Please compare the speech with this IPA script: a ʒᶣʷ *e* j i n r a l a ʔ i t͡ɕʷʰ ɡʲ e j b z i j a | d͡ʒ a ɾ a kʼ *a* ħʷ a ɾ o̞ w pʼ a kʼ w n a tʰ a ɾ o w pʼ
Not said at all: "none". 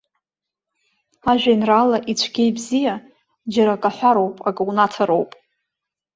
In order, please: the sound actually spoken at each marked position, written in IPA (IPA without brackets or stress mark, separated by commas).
a, a